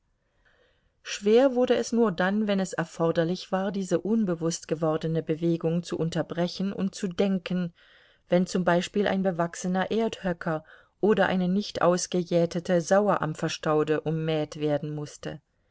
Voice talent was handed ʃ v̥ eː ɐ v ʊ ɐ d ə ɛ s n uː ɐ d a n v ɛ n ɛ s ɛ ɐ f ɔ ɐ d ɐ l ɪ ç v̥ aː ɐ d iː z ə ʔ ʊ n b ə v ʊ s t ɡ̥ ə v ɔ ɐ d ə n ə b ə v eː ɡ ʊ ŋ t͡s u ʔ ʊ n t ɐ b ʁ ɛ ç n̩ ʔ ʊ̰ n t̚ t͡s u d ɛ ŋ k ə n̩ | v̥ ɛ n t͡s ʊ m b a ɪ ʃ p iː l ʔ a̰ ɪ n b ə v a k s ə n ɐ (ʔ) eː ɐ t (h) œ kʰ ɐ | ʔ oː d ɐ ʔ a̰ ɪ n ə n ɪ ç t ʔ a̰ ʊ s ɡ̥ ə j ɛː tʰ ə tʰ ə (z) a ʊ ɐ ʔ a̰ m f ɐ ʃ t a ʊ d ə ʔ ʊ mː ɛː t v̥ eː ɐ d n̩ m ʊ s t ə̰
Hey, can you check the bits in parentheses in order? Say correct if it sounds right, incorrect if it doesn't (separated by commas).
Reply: correct, correct, correct